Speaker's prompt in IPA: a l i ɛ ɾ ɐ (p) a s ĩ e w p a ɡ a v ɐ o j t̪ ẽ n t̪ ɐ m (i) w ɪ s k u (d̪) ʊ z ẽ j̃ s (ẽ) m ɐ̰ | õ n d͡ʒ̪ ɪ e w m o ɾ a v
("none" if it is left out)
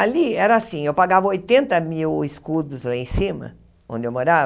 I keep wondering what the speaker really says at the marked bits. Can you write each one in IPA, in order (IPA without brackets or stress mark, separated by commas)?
none, i, d̪, ĩ